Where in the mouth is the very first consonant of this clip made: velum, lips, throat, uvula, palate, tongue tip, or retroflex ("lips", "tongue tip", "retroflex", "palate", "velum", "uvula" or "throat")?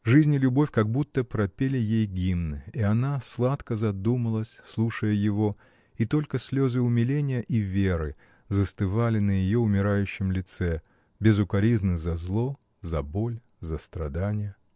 retroflex